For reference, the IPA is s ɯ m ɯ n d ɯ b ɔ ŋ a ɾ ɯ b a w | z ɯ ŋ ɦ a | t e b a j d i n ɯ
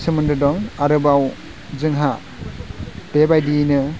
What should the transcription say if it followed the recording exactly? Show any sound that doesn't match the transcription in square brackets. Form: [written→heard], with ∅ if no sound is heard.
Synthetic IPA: s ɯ m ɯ n d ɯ [b→d] ɔ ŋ a ɾ ɯ b a w | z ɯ ŋ ɦ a | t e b a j d i n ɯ